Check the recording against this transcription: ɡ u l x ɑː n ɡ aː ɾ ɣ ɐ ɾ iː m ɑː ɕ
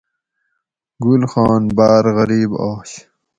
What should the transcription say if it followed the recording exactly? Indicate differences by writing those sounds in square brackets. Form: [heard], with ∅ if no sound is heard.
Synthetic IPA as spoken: ɡ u l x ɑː n [b] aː ɾ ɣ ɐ ɾ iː [b] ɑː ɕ